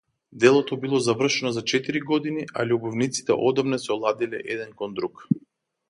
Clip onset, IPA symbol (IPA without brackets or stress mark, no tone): d̪